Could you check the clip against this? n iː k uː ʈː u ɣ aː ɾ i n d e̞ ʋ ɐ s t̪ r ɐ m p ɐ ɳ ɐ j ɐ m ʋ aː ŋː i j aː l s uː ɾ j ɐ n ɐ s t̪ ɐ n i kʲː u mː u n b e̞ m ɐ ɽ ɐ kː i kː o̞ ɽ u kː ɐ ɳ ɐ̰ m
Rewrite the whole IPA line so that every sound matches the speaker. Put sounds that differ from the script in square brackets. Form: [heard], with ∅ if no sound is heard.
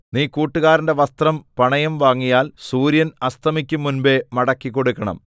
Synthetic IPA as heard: n iː k uː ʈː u ɣ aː ɾ i n d e̞ ʋ ɐ s t̪ r ɐ m p ɐ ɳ ɐ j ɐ m ʋ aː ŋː i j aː l s uː ɾ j ɐ n ɐ s t̪ ɐ [m] i kʲː u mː u n b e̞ m ɐ ɽ ɐ kː i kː o̞ ɽ u kː ɐ ɳ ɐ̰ m